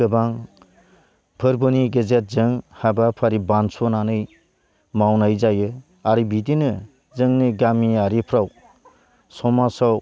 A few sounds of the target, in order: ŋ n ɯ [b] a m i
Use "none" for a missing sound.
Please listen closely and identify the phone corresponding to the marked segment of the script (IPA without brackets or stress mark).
ɡ